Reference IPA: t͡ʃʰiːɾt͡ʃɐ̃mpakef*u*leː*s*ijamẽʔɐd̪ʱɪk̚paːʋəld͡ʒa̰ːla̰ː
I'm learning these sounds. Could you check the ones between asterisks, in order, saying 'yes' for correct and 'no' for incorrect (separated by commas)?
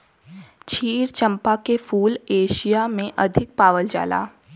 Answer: no, no